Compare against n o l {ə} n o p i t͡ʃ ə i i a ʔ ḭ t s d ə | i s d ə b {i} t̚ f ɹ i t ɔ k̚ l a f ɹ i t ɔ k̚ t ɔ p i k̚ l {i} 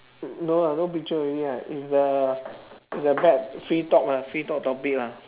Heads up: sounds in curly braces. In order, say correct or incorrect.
incorrect: a, incorrect: ɛ, incorrect: a

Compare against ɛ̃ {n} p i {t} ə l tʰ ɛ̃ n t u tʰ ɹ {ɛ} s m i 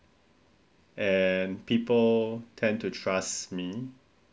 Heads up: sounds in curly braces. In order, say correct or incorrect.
correct, incorrect: p, incorrect: a

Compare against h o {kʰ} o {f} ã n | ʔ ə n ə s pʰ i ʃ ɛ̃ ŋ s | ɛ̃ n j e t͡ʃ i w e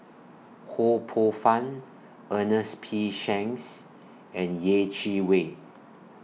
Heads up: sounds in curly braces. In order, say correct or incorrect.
incorrect: pʰ, correct

